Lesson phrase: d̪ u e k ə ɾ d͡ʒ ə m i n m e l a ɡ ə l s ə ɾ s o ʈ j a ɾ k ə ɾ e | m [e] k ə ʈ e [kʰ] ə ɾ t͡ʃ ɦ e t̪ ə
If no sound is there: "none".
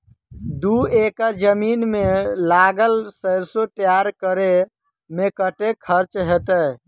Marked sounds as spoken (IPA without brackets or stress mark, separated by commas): e, kʰ